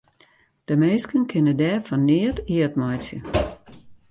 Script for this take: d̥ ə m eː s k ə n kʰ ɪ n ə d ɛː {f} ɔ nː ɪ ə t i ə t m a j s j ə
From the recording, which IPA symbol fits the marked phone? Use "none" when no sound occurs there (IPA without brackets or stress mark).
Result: f